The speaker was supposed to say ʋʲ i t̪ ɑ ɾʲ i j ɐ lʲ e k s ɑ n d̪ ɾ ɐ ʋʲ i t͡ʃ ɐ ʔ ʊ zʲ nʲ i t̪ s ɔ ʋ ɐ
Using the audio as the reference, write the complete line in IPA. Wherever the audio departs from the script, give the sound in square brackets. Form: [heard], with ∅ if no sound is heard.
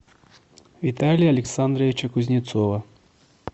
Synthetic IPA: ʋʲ i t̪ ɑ [lʲ] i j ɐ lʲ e k s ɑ n d̪ ɾ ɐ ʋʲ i t͡ʃ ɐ [k] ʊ zʲ nʲ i t̪ s ɔ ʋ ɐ